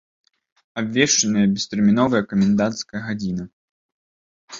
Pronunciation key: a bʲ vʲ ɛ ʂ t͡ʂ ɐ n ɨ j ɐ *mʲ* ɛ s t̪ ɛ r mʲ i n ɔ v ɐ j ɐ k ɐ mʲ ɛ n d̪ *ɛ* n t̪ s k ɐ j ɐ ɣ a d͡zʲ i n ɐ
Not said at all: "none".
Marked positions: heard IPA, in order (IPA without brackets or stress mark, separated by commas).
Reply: bʲ, a